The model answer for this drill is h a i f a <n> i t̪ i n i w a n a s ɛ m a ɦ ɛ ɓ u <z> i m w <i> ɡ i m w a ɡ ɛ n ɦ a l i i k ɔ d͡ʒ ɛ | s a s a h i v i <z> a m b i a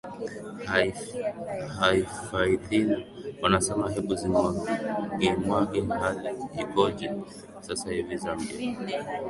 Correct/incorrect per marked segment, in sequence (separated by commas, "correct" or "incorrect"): incorrect, correct, incorrect, correct